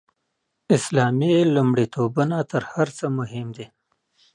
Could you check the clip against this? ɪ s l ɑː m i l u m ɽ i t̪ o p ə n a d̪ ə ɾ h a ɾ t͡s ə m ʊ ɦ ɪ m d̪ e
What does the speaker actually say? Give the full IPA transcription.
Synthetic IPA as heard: ɪ s l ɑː m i l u m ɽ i t̪ o b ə n a t̪ ə ɾ h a ɾ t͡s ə m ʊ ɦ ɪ m d̪ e